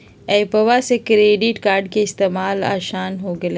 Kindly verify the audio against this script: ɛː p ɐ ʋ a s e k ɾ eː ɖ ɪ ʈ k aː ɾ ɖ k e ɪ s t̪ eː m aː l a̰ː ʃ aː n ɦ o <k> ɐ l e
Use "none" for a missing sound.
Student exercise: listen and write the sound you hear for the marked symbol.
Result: ɡ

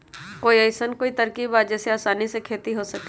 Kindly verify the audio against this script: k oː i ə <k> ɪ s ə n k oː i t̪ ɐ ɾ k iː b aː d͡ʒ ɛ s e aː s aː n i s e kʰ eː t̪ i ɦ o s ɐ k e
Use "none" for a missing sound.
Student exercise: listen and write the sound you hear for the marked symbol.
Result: none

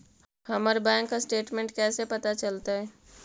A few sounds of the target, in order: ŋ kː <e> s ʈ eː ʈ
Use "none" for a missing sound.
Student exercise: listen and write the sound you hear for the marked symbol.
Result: a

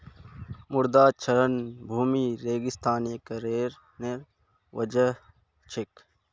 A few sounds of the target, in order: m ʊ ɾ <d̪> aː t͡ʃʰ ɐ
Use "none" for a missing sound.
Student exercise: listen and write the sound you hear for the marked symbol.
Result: d̪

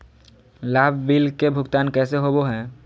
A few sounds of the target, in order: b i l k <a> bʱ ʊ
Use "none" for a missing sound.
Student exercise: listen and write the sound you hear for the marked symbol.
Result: e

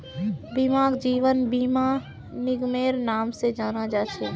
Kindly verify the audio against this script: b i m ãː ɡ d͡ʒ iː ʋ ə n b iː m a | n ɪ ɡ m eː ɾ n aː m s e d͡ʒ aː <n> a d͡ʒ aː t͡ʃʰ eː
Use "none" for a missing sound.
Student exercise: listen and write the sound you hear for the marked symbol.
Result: n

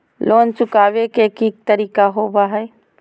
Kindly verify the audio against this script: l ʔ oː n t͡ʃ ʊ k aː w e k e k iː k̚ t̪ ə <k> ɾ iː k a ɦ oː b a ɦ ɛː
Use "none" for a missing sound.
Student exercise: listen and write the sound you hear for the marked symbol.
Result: none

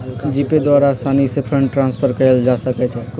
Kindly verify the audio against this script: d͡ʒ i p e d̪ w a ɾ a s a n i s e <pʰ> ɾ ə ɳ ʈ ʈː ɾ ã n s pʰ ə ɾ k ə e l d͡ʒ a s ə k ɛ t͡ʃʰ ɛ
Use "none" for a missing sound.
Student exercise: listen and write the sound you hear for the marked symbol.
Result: pʰ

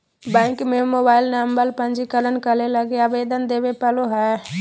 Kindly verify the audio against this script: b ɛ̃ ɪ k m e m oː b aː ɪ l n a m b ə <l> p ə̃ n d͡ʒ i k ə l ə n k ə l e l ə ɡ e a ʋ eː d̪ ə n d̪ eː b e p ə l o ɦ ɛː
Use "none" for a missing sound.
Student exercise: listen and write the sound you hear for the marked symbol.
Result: l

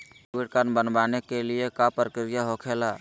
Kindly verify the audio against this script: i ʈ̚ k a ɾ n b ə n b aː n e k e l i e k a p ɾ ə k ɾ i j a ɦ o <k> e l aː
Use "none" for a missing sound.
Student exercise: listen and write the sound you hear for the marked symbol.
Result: kʰ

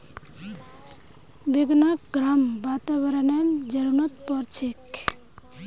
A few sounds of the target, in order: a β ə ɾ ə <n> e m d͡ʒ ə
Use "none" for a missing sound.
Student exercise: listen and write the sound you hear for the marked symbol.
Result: n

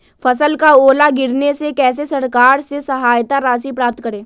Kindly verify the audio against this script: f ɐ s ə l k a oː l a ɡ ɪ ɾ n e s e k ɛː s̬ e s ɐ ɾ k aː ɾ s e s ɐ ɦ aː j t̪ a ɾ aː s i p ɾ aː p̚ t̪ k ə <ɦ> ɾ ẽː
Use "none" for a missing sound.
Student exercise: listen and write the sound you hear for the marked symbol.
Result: none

